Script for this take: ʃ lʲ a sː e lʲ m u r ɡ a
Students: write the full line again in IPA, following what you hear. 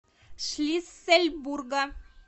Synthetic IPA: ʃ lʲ i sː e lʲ b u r ɡ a